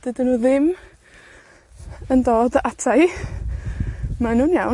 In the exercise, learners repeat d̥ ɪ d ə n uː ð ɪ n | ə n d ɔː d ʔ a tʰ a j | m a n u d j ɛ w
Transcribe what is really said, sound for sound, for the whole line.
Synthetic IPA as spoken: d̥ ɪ d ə n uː ð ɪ m | ə n d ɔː d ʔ a tʰ a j | m a n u n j a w

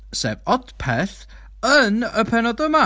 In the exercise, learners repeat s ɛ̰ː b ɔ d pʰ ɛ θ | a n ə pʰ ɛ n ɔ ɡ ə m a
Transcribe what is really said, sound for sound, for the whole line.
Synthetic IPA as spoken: s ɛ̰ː v ɔ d pʰ ɛ θ | ə n ə pʰ ɛ n ɔ d ə m a

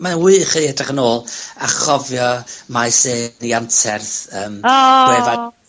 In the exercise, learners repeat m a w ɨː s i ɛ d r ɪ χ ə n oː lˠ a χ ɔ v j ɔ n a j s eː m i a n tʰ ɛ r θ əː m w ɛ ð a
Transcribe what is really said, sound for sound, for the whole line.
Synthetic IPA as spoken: m a w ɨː χ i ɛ d r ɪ χ ə n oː lˠ a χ ɔ v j ɔ m a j s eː n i a n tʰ ɛ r θ əː m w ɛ v a

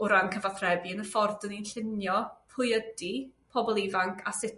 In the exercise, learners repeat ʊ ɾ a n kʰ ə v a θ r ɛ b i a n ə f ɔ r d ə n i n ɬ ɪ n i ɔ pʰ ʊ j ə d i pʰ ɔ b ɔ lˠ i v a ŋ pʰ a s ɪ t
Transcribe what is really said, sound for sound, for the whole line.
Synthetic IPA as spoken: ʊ ɾ a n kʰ ə v a θ r ɛ b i ə n ə f ɔ r d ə n i n ɬ ɪ n j ɔ pʰ ʊ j ə d i pʰ ɔ b ɔ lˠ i v a ŋ kʰ a s ɪ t

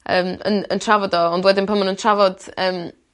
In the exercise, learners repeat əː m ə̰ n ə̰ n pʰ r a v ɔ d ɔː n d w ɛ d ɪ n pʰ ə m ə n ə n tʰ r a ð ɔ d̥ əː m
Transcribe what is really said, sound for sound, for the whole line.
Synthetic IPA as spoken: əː m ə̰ n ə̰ n tʰ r a v ɔ d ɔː n d w ɛ d ɪ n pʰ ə m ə n ə n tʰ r a v ɔ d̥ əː m

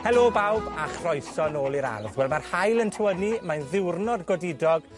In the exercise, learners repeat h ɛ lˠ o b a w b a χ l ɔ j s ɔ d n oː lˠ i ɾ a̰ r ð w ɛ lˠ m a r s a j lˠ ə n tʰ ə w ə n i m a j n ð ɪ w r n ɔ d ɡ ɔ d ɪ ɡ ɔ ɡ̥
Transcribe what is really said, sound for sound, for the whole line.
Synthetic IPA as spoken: h ɛ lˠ o b a w b a χ r ɔ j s ɔ n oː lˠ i ɾ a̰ r ð w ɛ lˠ m a r h a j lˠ ə n tʰ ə w ə n i m a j n ð ɪ w r n ɔ d ɡ ɔ d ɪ d ɔ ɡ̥

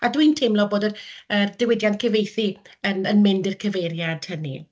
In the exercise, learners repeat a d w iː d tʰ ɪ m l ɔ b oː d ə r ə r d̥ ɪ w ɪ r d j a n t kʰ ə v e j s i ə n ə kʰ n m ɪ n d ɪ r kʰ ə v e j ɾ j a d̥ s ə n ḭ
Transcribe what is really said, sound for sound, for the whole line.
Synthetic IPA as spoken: a d w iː n tʰ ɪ m l ɔ b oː d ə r ə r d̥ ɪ w ɪ d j a n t kʰ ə v e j θ i ə n ə n m ɪ n d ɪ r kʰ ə v e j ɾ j a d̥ h ə n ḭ

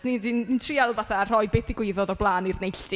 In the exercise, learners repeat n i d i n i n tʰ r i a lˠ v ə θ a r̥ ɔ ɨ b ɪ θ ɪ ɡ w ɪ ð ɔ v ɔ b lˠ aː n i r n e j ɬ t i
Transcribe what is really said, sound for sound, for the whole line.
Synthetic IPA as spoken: n i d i n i n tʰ r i a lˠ v a θ a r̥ ɔ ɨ b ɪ θ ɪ ɡ w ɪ ð ɔ ð ɔ b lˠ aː n i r n e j ɬ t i

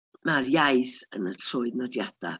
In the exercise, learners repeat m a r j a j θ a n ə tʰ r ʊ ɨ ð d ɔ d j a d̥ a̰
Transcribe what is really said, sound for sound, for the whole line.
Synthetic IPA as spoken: m a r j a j θ ə n ə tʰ r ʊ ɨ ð n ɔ d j a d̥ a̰

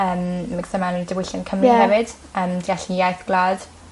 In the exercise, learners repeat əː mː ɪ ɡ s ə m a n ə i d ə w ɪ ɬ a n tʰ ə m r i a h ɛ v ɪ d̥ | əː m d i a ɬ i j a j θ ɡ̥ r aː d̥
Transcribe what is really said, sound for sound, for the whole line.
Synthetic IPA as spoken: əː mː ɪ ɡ s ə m a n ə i d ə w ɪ ɬ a n kʰ ə m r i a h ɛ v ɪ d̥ | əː m d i a ɬ i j a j θ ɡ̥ l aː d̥

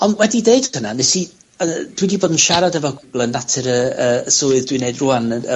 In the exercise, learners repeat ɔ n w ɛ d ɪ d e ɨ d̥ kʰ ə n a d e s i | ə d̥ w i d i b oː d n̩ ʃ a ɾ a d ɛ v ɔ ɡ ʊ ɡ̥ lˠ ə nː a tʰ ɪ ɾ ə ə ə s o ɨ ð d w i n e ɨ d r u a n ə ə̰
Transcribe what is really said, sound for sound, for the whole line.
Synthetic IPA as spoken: ɔ n w ɛ d i d e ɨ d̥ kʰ ə n a n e s i | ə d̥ w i d i b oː d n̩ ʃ a ɾ a d ɛ v ɔ ɡ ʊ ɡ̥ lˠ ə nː a tʰ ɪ ɾ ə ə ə s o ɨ ð d w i n e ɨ d r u a n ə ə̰

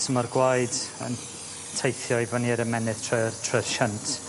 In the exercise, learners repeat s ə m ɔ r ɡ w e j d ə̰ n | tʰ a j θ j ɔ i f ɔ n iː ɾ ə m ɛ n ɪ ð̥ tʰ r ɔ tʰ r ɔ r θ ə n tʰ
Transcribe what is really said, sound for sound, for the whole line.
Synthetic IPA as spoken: s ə m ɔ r ɡ w a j d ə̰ n | tʰ e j θ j ɔ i v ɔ n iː ɾ ə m ɛ n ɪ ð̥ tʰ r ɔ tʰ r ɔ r ʃ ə n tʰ

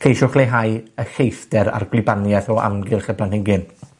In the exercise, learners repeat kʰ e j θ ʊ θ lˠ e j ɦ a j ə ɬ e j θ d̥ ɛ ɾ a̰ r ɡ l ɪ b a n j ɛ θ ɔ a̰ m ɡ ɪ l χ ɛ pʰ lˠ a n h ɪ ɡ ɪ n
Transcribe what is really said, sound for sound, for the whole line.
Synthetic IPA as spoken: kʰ e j ʃ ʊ χ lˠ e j ɦ a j ə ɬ e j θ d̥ ɛ ɾ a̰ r ɡ l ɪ b a n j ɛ θ ɔ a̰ m ɡ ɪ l χ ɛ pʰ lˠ a n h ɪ ɡ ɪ n

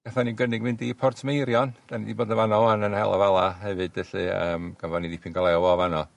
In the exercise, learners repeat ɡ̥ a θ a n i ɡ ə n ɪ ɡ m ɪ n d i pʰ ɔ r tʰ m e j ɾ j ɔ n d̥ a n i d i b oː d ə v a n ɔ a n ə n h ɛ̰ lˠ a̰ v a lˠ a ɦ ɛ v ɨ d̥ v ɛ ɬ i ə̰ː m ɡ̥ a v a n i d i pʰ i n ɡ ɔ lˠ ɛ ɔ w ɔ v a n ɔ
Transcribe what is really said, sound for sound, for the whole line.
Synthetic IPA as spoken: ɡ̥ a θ a n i ɡ ə n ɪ ɡ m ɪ n d i pʰ ɔ r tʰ m e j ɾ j ɔ n d̥ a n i d i b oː d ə v a n ɔ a n ə n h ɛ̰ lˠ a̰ v a lˠ a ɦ ɛ v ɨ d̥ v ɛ ɬ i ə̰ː m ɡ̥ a v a n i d i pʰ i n ɡ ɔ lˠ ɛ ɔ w ɔ v a n ɔ

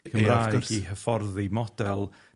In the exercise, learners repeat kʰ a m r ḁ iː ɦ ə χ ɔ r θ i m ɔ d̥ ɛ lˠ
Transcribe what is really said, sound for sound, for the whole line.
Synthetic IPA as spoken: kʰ ə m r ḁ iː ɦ ə f ɔ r ð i m ɔ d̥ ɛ lˠ

